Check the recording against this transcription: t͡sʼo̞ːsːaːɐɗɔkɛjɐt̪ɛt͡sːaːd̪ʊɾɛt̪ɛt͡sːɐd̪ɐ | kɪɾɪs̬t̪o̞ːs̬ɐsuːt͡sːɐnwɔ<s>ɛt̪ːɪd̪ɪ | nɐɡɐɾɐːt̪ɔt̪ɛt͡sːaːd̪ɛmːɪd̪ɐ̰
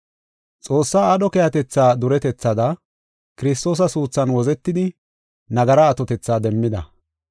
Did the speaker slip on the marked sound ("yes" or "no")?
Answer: yes